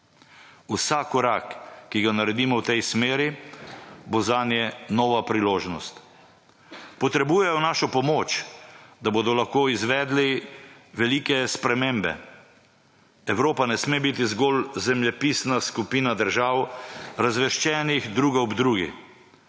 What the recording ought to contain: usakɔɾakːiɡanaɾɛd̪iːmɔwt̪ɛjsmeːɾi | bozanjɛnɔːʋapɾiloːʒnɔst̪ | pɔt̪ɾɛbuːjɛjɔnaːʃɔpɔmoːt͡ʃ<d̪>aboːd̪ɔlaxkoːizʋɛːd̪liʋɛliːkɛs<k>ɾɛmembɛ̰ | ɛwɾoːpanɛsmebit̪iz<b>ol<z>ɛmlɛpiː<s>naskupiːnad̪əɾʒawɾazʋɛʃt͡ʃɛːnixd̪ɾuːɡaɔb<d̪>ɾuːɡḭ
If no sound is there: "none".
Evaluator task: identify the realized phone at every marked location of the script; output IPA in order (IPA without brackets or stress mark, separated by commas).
d̪, p, ɡ, z, s, d̪